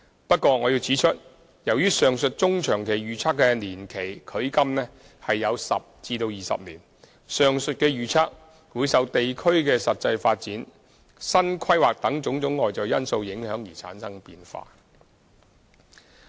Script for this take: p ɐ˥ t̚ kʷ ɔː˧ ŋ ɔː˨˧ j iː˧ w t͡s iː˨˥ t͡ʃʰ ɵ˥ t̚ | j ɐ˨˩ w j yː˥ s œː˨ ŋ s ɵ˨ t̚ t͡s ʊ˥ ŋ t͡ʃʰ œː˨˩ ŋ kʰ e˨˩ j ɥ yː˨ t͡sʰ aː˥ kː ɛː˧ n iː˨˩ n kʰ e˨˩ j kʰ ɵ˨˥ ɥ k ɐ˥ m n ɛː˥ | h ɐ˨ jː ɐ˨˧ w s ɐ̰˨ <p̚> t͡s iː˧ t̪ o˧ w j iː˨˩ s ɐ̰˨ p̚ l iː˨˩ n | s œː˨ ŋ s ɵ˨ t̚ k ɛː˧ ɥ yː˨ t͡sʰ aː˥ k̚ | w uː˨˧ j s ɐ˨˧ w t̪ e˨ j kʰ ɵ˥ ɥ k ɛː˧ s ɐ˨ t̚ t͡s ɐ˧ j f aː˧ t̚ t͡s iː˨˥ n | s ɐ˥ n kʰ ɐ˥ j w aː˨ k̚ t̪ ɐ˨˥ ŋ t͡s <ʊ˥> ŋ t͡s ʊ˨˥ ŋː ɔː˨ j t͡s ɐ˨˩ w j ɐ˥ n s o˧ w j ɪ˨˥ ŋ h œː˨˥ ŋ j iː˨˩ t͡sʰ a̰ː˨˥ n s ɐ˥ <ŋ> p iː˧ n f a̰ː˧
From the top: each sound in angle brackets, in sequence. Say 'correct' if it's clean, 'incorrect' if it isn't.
correct, incorrect: ʊ˨˥, correct

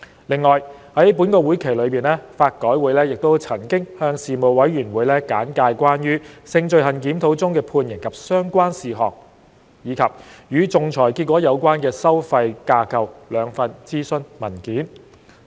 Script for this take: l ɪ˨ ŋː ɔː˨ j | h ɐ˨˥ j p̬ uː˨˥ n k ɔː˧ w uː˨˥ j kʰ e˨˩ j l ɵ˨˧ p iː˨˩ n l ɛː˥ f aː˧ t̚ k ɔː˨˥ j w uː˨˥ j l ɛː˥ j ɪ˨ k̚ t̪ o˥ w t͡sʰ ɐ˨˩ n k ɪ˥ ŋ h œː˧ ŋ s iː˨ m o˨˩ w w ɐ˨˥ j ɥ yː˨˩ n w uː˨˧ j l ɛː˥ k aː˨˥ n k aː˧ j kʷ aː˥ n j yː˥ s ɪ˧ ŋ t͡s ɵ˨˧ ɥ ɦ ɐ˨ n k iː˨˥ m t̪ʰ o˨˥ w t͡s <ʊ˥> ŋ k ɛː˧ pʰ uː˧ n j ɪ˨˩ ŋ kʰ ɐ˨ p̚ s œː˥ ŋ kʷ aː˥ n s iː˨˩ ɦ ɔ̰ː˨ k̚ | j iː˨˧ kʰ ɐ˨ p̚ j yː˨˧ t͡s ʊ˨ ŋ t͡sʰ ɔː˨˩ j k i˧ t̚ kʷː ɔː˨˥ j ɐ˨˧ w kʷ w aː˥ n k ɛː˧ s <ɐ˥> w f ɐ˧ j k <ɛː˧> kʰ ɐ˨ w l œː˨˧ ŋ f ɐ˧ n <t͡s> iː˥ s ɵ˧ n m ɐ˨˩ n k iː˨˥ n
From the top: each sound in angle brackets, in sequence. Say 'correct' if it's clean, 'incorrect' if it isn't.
correct, correct, incorrect: aː˧, correct

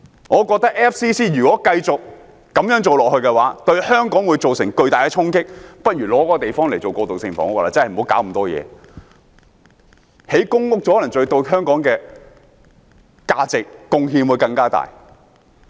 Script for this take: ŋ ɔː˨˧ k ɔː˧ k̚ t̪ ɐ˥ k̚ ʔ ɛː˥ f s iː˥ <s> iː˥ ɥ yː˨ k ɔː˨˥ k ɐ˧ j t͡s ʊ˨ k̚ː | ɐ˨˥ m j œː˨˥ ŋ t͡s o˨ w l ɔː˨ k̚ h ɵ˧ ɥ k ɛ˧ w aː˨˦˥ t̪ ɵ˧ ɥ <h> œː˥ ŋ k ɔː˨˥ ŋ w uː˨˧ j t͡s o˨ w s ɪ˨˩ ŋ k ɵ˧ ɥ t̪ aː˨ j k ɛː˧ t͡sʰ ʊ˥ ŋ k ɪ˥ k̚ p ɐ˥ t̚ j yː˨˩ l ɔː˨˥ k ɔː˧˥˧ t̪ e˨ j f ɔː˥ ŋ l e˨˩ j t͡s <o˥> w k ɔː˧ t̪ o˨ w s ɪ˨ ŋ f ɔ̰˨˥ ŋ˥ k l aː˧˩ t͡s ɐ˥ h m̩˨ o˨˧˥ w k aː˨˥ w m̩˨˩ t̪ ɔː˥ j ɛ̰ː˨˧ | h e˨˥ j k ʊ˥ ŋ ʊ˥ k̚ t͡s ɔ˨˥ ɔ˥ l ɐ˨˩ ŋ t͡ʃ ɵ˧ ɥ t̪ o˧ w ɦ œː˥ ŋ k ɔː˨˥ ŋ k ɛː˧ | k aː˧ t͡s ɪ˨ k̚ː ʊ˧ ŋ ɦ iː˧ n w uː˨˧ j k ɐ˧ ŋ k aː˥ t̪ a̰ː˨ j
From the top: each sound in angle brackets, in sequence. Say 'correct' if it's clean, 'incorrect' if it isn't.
correct, correct, incorrect: o˨

